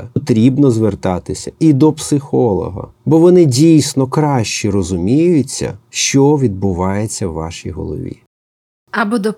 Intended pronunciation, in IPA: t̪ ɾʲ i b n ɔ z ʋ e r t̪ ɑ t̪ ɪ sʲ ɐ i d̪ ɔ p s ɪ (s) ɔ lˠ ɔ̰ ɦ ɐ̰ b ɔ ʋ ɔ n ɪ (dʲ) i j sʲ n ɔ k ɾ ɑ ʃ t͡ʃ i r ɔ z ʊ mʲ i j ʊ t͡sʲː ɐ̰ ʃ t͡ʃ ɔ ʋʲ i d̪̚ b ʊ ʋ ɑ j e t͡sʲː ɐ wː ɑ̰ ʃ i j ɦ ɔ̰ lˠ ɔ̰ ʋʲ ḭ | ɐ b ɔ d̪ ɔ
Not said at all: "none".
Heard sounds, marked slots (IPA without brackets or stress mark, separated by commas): x, dʲ